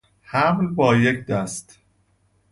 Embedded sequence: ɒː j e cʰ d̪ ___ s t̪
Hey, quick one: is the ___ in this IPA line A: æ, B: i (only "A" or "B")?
A